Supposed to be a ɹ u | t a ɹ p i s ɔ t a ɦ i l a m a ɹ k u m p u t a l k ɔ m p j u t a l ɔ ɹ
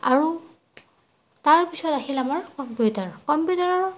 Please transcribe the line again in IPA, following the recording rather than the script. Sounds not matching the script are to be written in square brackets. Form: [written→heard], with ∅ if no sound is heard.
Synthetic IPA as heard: a ɹ u | t a ɹ p i s ɔ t a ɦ i l a m a ɹ k [u→ɔ] m p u t a [l→ɹ] k ɔ m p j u t a [l→ɹ] ɔ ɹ